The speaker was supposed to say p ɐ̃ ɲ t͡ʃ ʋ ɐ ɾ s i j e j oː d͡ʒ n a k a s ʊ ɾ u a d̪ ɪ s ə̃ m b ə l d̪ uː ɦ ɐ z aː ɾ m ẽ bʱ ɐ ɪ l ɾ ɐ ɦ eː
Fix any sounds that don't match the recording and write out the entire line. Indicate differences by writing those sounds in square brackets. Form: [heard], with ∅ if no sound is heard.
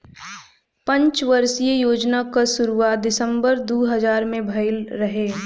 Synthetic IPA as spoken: p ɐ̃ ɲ t͡ʃ ʋ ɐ ɾ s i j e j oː d͡ʒ n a k a s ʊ ɾ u a d̪ ɪ s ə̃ m b ə [ɾ] d̪ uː ɦ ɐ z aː ɾ m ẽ bʱ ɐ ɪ l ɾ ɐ ɦ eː